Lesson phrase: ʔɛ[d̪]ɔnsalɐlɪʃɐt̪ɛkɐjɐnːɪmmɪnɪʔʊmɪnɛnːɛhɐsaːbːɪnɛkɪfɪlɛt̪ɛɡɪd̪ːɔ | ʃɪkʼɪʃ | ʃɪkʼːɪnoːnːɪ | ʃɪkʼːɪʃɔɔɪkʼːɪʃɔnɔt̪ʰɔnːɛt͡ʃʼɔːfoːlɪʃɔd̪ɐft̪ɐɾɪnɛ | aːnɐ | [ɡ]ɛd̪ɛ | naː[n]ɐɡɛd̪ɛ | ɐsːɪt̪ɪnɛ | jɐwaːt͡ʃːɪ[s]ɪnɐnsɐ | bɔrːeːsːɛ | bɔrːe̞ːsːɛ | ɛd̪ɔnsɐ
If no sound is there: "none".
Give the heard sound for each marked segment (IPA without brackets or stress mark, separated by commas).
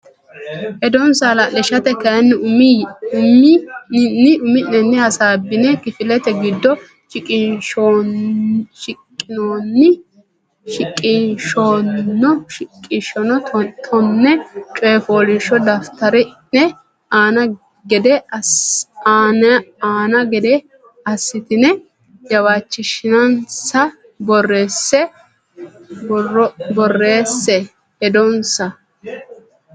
d̪, ɡ, n, ʃ